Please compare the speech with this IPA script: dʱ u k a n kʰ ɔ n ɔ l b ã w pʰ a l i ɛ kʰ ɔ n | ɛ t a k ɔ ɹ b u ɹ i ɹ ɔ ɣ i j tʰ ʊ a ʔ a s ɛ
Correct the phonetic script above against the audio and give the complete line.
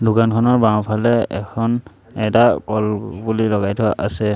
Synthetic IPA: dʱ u k a n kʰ ɔ n ɔ ɹ b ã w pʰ a l ɛ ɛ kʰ ɔ n | ɛ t a k ɔ l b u l i l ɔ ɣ a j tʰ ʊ a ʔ a s ɛ